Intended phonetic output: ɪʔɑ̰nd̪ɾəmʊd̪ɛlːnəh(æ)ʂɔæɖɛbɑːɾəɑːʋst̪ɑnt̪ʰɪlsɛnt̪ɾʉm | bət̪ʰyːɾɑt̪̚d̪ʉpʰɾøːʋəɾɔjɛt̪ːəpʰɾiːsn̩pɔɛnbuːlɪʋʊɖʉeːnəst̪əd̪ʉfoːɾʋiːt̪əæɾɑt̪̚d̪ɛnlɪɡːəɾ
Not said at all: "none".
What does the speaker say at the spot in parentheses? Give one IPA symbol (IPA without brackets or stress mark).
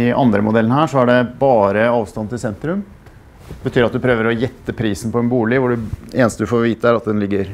æː